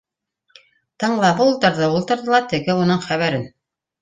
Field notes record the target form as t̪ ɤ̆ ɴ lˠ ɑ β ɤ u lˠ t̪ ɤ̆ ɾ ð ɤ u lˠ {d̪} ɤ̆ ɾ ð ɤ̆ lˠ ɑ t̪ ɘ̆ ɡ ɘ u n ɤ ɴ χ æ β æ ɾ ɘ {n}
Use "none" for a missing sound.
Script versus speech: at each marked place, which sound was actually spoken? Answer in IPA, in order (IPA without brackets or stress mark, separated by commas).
t̪, n